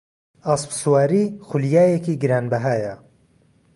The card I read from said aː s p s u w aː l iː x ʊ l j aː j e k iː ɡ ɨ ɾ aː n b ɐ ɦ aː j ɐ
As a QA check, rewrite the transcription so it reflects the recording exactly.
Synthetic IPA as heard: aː s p s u w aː ɾ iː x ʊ l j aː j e k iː ɡ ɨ ɾ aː n b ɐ ɦ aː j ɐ

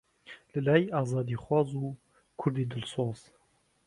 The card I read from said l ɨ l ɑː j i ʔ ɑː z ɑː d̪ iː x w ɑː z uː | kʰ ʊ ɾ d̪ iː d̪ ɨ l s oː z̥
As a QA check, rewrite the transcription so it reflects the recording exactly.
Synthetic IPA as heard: l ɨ l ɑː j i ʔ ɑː z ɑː d̪ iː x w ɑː z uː | kʰ ʊ ɾ d̪ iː d̪ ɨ l s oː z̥

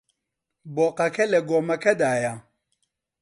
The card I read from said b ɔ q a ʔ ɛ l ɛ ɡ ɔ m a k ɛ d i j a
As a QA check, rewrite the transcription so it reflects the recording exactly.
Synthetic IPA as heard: b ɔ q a k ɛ l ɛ ɡ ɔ m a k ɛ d a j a

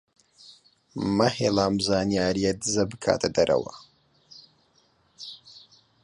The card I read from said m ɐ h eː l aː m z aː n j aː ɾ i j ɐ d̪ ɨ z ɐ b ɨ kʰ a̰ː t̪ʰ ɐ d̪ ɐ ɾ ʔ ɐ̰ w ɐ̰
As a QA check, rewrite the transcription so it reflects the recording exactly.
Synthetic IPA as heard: m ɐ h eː l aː m z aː n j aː ɾ i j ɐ d̪ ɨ z ɐ b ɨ kʰ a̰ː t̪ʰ ɐ d̪ ɐ ɾ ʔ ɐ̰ w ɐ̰

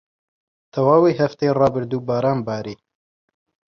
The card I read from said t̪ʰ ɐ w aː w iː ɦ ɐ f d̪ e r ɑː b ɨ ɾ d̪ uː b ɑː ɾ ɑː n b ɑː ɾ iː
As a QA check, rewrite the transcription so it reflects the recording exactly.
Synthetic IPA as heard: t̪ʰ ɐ w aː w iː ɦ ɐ f t̪ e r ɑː b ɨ ɾ d̪ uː b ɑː ɾ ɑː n b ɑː ɾ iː

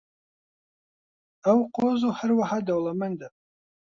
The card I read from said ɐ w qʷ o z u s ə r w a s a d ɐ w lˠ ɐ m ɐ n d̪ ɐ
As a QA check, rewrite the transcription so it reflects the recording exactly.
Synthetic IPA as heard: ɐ w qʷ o z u ħ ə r w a ħ a d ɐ w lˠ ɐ m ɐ n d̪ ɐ

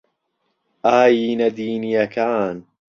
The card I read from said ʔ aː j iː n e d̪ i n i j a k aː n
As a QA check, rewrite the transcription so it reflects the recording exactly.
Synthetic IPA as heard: ʔ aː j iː n a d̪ iː n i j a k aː n

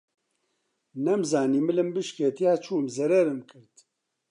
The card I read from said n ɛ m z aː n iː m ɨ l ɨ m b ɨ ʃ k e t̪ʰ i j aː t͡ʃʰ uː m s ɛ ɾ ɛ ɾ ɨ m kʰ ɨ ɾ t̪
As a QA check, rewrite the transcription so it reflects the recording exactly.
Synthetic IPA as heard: n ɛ m z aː n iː m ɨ l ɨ m b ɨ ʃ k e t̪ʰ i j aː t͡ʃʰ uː m z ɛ ɾ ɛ ɾ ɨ m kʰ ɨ ɾ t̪

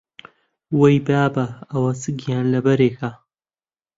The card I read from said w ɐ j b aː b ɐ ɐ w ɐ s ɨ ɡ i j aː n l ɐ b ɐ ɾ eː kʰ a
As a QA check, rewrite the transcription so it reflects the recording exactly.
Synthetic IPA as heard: w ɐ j b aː b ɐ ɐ w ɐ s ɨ ɡ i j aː n l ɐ b ɐ ɾ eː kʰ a

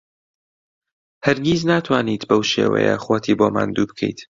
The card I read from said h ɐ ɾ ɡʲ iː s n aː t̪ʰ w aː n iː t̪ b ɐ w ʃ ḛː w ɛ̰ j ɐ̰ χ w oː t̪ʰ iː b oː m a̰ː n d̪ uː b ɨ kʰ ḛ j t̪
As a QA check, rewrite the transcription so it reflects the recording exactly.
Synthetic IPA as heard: h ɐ ɾ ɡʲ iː z n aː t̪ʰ w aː n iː t̪ b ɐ w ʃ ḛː w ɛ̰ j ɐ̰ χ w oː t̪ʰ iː b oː m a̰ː n d̪ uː b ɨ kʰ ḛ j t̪

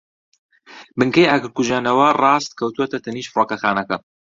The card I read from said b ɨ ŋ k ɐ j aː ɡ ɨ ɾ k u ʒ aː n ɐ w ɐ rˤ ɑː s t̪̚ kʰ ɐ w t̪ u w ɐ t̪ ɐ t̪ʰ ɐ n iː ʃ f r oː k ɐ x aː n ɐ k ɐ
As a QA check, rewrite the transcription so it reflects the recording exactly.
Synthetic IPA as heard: b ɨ ŋ k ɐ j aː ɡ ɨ ɾ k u ʒ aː n ɐ w ɐ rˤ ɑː s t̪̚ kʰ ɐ w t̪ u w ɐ t̪ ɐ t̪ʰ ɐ n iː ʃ f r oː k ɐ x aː n ɐ k ɐ

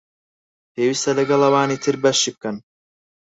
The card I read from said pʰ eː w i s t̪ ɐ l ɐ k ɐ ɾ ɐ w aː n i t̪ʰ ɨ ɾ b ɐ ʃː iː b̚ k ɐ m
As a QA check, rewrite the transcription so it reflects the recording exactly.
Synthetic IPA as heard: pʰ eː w i s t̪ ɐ l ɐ ɡ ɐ l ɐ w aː n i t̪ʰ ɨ ɾ b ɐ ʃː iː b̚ k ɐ n

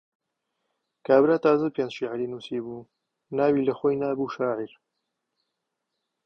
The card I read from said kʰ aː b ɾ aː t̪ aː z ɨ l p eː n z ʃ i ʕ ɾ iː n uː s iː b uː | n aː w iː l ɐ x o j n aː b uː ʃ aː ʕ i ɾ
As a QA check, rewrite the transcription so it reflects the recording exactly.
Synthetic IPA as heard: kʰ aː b ɾ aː t̪ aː z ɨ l p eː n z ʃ i ʕ ɾ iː n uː s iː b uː | n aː w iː l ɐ x o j n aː b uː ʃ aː ʕ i ɾ

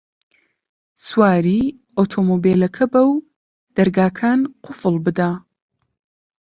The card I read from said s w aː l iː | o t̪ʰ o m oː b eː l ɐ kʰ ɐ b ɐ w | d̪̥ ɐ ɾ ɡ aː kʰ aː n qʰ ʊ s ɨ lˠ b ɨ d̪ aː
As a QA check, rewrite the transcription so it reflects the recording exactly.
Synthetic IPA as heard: s w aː ɾ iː | o t̪ʰ o m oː b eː l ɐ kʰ ɐ b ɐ w | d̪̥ ɐ ɾ ɡ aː kʰ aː n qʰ ʊ f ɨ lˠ b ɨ d̪ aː

